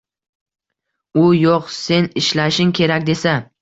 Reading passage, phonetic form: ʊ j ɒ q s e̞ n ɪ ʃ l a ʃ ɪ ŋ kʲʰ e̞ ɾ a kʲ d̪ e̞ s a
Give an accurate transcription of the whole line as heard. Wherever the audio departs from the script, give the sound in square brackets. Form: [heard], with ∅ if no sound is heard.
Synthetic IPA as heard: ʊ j [o] q s e̞ n ɪ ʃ l a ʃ ɪ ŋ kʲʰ e̞ ɾ a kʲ d̪ e̞ s a